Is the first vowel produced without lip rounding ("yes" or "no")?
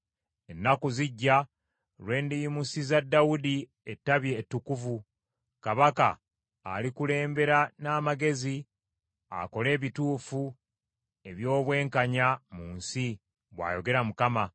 yes